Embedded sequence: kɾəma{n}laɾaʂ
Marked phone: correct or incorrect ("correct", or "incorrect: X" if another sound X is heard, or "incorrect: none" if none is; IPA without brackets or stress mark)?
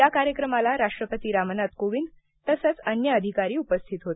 incorrect: none